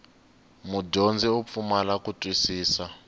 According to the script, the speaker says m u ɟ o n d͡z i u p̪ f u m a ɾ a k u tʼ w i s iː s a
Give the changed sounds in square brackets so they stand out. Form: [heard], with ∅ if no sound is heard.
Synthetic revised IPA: m u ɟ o n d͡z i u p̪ f u m a [l] a k u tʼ w i s iː s a